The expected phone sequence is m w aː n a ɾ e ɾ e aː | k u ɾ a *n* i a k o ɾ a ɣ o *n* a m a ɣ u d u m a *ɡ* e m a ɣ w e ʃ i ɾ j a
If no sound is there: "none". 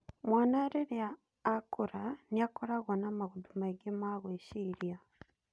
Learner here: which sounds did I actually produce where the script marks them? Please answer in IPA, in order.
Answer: n, n, ɡ

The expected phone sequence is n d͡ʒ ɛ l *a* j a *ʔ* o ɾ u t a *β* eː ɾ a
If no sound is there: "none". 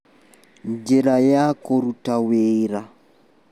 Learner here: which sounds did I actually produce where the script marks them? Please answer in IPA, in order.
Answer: a, k, w

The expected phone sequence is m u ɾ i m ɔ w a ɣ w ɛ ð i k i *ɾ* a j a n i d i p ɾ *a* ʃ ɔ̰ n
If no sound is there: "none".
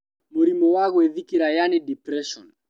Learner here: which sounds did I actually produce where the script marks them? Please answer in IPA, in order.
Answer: ɾ, ɛ

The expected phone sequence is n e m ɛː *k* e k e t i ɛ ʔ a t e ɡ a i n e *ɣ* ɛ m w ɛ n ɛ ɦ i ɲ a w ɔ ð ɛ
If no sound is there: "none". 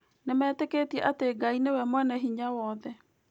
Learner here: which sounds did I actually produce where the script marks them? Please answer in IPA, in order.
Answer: t, w

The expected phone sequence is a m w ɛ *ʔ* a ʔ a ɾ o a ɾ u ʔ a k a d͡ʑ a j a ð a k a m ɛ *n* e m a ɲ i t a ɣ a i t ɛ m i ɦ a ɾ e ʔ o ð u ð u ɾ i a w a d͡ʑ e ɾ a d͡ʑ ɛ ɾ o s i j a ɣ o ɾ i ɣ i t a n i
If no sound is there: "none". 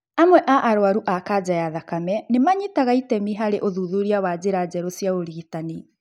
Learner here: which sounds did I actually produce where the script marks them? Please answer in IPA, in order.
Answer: ʔ, n

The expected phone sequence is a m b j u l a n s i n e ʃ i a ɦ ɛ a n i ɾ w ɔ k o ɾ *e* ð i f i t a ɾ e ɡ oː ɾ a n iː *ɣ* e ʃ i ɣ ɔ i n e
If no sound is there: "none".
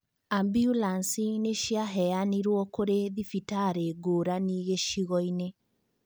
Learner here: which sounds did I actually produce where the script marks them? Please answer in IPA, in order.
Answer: e, ɣ

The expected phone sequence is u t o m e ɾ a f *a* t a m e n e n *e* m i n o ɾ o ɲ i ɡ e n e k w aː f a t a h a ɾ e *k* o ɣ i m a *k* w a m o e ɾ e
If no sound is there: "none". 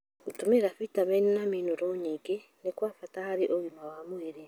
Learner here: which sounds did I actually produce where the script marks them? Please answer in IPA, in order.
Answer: i, a, ʔ, none

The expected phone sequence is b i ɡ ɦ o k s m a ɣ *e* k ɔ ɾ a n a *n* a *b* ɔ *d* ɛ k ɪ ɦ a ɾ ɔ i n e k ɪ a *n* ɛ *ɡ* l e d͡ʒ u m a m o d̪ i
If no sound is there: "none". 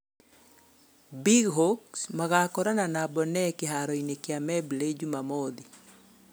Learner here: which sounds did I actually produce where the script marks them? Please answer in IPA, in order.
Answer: a, n, b, n, m, b

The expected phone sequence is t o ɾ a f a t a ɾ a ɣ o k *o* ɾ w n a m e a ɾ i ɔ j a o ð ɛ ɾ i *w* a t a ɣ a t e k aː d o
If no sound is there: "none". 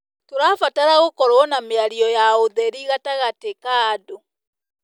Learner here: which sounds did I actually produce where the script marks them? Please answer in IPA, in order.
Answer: ɔ, ɣ

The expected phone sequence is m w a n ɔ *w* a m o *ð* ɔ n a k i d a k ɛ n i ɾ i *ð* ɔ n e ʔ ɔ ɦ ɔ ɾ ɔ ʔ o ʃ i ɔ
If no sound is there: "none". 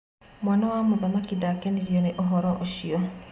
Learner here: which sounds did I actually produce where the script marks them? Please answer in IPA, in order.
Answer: w, ð, none

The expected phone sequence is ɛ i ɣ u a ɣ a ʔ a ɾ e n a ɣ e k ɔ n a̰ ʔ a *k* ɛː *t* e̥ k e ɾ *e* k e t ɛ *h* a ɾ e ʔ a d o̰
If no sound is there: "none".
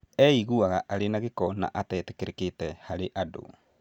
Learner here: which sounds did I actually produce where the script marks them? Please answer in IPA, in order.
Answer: t, t, e, h

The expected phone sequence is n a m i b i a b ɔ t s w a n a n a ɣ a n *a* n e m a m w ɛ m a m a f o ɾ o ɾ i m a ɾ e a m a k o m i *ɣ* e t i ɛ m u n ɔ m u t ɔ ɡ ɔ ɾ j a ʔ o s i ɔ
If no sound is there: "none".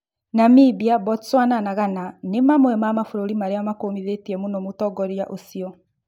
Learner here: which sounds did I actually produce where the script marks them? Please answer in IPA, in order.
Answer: a, ð

